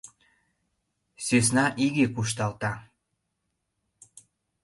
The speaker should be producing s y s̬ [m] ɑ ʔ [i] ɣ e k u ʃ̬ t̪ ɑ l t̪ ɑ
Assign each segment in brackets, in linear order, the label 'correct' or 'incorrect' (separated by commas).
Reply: incorrect, correct